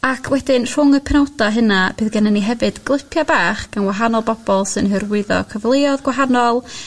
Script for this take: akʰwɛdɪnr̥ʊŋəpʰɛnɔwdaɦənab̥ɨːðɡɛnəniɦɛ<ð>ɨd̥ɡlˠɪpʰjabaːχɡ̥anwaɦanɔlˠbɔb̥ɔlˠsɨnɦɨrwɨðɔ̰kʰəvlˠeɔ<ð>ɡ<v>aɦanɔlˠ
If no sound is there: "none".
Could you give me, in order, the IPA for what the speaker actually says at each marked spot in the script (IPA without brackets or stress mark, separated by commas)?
v, ð, w